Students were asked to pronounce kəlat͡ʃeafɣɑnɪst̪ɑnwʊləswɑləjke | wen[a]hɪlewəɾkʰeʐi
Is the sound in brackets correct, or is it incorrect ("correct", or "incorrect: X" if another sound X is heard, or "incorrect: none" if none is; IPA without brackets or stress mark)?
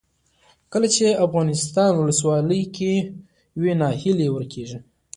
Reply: incorrect: ɑ